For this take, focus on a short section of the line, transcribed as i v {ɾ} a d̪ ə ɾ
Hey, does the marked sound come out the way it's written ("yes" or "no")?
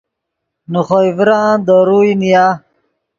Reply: yes